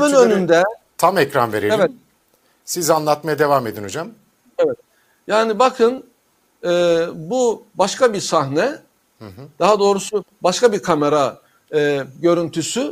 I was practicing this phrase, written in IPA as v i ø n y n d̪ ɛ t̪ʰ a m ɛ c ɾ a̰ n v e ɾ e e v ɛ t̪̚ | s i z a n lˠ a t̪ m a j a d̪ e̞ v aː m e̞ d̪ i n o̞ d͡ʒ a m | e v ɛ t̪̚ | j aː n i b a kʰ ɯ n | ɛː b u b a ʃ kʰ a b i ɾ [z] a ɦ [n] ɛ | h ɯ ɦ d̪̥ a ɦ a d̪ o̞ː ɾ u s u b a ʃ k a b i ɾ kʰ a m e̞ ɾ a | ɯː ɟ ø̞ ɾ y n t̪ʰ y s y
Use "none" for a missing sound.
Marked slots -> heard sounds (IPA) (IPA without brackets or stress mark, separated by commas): s, n